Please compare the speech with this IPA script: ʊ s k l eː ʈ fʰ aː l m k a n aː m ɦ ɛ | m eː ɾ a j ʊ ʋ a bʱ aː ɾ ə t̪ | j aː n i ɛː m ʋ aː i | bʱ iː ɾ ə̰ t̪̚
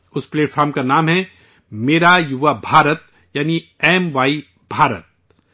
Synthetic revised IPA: ʊ s p l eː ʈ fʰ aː ɾ m k a n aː m ɦ ɛ | m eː ɾ a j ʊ ʋ a bʱ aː ɾ ə t̪ | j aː n i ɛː m ʋ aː i | bʱ aː ɾ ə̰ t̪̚